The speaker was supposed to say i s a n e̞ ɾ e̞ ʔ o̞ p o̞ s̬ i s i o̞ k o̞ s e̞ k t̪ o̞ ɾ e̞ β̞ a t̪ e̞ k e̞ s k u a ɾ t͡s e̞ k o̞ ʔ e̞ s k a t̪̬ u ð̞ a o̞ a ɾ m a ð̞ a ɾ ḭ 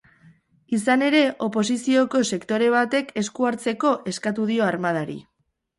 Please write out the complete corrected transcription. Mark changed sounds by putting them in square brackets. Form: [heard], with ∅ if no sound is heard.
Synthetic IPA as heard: i s a n e̞ ɾ e̞ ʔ o̞ p o̞ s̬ i s i o̞ k o̞ s e̞ k t̪ o̞ ɾ e̞ β̞ a t̪ e̞ k e̞ s k u a ɾ t͡s e̞ k o̞ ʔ e̞ s k a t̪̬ u ð̞ [i] o̞ a ɾ m a ð̞ a ɾ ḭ